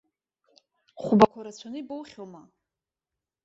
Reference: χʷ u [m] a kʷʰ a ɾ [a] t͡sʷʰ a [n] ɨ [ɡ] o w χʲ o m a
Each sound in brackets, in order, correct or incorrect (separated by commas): incorrect, correct, correct, incorrect